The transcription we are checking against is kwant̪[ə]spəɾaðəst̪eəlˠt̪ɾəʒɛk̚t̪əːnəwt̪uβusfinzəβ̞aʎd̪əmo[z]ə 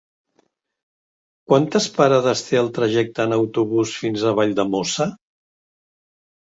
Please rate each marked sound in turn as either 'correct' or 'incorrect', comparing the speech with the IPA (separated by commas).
correct, incorrect